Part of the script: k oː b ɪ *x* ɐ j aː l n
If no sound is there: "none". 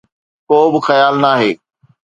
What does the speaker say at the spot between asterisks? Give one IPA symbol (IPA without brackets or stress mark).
x